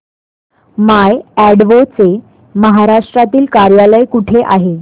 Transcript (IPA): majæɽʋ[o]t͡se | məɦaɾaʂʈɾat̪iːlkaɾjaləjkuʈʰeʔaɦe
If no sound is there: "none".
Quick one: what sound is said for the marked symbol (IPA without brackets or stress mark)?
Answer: o